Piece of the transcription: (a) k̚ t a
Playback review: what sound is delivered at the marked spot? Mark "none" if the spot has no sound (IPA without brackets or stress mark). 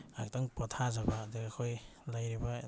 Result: a